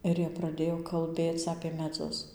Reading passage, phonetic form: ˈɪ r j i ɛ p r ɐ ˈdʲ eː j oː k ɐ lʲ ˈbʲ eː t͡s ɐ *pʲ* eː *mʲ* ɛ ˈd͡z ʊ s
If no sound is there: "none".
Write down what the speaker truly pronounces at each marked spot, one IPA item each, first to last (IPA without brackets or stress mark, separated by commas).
pʲ, mʲ